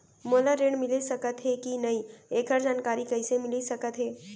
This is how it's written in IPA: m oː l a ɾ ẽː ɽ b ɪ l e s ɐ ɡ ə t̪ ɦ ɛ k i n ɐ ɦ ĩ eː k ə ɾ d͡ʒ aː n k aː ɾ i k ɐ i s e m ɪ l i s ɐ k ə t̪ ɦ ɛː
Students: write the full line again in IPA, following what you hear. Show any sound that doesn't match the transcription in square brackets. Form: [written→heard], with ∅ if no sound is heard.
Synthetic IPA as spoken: m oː l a ɾ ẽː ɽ [b→m] ɪ l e s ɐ [ɡ→k] ə t̪ ɦ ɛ k i n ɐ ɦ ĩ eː k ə ɾ d͡ʒ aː n k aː ɾ i k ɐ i s e m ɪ l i s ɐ k ə t̪ ɦ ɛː